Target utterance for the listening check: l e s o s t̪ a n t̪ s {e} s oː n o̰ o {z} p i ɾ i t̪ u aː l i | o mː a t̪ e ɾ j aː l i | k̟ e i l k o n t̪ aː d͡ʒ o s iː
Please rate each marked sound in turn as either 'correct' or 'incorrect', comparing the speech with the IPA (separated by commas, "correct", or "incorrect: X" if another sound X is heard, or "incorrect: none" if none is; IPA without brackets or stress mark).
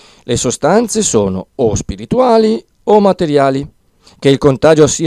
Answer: correct, incorrect: s